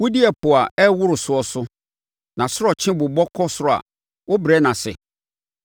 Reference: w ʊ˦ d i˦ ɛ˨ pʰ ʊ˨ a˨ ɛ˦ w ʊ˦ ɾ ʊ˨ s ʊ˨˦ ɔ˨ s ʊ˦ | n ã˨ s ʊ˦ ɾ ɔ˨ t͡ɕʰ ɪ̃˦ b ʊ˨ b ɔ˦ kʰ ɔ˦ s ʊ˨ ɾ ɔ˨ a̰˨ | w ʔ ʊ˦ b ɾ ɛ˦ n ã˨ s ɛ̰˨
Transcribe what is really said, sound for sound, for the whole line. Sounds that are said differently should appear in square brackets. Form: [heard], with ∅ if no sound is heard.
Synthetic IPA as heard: w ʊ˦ d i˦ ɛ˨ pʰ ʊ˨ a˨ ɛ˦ w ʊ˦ ɾ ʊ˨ s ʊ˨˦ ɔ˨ s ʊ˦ | n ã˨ s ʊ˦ ɾ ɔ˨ t͡ɕʰ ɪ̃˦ b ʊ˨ b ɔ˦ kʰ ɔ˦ s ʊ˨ ɾ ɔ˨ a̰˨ | w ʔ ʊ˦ b ɾ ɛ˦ n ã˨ s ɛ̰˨